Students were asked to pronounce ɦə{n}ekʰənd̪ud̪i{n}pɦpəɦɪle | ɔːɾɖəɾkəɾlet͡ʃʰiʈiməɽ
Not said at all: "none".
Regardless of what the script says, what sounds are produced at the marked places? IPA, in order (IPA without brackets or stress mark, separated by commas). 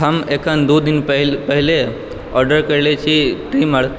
m, n